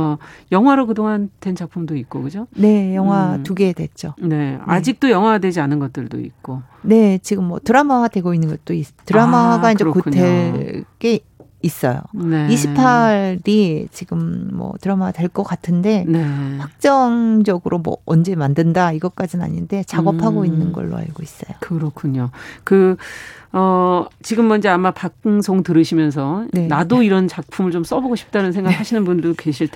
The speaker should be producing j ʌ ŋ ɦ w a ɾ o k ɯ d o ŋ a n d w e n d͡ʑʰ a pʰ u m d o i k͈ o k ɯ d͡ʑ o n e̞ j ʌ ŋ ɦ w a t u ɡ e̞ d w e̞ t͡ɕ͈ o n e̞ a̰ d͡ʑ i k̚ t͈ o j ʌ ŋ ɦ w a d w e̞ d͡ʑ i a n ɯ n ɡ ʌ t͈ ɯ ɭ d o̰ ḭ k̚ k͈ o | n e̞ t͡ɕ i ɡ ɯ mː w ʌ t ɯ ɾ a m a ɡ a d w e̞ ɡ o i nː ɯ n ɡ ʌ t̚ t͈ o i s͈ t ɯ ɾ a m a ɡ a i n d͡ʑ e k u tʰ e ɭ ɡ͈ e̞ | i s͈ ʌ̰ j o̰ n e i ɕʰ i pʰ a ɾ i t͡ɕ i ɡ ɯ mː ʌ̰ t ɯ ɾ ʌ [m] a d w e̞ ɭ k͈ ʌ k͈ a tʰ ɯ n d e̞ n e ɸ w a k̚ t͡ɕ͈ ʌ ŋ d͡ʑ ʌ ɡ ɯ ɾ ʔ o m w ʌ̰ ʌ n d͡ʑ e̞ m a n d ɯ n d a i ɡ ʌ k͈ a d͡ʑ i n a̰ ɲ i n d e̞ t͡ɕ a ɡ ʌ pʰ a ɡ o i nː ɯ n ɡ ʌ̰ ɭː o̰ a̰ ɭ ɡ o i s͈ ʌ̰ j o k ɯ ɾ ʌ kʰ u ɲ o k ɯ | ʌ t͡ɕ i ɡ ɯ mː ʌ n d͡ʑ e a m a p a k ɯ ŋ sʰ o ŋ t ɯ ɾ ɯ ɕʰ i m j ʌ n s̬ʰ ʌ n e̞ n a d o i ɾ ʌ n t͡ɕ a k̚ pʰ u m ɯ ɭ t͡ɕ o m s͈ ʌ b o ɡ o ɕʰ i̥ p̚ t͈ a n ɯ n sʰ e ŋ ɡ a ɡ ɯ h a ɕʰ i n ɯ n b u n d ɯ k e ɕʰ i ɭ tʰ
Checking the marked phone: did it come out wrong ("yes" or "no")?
no